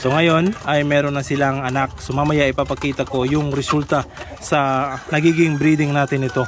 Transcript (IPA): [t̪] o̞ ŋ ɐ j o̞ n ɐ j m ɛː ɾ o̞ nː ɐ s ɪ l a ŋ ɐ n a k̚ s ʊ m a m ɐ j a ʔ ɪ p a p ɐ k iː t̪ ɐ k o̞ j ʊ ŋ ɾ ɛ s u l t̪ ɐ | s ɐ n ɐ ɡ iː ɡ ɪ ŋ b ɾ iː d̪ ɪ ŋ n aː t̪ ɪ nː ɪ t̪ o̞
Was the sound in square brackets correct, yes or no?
yes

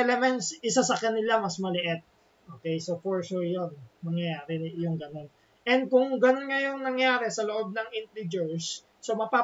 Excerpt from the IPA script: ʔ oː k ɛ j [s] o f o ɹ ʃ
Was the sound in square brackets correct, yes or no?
yes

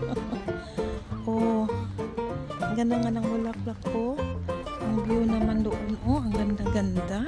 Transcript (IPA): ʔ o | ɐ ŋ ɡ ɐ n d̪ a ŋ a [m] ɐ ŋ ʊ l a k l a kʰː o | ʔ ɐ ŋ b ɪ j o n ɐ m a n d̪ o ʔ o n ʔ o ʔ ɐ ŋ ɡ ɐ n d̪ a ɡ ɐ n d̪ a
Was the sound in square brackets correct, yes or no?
no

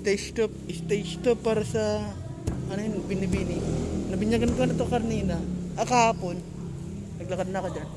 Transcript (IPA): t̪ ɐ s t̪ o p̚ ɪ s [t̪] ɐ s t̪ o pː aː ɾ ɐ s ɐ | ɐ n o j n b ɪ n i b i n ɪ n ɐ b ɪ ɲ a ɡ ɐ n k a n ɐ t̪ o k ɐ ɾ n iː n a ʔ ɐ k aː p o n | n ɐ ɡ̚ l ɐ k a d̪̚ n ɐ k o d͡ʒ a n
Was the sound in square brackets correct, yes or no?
yes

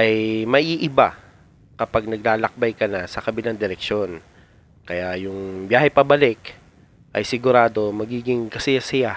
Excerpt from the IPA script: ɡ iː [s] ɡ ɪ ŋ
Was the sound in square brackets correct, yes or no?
no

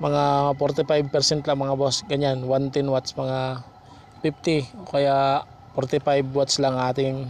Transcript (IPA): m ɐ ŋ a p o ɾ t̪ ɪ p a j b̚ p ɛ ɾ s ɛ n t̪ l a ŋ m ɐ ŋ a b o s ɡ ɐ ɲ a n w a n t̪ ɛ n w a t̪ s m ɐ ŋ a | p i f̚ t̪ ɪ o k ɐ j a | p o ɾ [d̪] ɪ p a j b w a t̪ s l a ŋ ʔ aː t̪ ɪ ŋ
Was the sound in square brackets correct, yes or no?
no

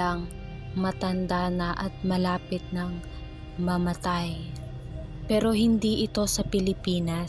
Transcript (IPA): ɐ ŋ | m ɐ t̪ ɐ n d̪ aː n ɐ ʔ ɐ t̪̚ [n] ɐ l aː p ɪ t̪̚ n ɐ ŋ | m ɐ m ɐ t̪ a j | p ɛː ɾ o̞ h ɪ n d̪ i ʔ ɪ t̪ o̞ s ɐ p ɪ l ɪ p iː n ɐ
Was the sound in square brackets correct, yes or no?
no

